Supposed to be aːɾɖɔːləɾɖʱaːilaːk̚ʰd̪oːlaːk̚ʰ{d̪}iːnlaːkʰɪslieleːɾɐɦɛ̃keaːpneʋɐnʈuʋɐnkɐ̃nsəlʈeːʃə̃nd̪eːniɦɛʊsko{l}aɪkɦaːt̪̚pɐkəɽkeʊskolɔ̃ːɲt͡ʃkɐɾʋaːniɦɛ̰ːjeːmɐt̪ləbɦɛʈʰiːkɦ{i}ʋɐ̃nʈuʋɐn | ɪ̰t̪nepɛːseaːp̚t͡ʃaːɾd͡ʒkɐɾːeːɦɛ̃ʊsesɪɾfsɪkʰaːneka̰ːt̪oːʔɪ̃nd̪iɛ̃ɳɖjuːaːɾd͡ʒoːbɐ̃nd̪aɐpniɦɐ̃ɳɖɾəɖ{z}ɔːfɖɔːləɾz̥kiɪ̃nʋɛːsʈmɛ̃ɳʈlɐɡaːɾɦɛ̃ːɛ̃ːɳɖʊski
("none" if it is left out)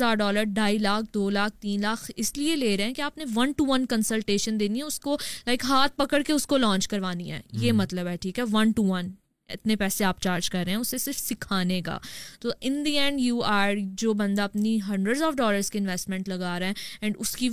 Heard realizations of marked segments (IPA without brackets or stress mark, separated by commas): t̪, l, ɛ, z